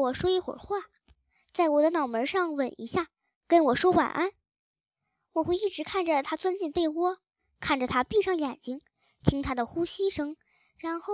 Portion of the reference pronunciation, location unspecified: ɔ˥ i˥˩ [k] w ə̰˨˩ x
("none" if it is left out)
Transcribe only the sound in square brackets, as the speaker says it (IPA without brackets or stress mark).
x